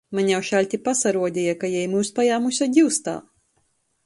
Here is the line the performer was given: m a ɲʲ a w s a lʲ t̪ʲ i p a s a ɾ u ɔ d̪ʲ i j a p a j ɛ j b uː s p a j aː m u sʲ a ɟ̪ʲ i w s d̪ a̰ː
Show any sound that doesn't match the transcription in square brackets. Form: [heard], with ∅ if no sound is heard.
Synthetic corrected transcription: m a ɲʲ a w [ʃ] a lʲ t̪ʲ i p a s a ɾ u ɔ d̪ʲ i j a [k] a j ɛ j [m] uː s p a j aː m u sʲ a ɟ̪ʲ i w s [t̪] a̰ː